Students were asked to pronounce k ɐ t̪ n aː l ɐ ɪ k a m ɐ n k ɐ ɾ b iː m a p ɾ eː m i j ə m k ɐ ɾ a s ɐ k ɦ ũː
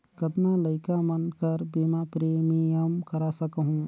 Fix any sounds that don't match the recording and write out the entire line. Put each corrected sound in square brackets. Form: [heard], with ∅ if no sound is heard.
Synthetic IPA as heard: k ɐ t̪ n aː l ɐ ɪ k a m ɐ n k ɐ ɾ b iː m a p ɾ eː m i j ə m k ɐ ɾ a s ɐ k ɦ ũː